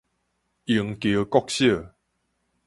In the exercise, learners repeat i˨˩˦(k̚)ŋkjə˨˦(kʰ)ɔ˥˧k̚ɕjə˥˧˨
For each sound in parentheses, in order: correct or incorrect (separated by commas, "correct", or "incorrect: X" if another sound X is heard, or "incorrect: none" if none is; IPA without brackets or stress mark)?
incorrect: none, incorrect: k